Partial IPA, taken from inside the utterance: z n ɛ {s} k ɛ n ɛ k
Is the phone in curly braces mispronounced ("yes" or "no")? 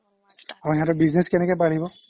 no